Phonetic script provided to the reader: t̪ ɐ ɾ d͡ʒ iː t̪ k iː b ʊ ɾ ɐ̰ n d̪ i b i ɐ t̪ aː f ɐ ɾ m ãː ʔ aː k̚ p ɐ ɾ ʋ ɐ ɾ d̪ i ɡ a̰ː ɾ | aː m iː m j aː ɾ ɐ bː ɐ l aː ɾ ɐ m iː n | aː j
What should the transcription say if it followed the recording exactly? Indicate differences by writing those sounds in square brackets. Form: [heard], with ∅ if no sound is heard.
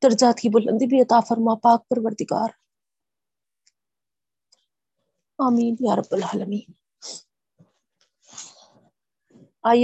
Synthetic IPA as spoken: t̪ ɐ ɾ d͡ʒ [aː] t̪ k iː b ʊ [l] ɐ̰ n d̪ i b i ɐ t̪ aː f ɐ ɾ m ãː [p] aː k̚ p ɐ ɾ ʋ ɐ ɾ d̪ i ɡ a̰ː ɾ | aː m iː [n] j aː ɾ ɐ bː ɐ l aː [l] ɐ m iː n | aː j